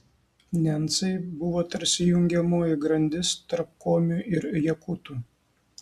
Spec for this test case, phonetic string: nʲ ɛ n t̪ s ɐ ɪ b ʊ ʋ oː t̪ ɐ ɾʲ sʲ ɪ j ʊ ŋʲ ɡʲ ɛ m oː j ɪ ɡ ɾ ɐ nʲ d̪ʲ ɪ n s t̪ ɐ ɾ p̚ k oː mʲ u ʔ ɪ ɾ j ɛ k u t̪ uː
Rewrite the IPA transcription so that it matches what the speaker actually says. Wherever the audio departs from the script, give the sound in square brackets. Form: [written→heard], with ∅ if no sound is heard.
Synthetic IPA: nʲ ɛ n t̪ s ɐ ɪ b ʊ ʋ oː t̪ ɐ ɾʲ sʲ ɪ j ʊ ŋʲ ɡʲ ɛ m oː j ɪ ɡ ɾ ɐ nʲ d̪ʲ ɪ [n→∅] s t̪ ɐ ɾ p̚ k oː mʲ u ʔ ɪ ɾ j ɛ k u t̪ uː